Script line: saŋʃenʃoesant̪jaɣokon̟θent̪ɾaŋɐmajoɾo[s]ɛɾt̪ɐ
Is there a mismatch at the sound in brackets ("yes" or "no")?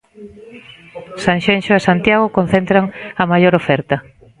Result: yes